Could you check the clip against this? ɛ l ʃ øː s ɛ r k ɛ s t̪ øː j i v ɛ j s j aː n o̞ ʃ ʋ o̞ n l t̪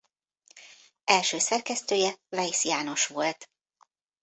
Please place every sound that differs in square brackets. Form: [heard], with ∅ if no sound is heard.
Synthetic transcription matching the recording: ɛ l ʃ øː s ɛ r k ɛ s t̪ øː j [ɛ] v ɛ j s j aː n o̞ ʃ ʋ o̞ [∅] l t̪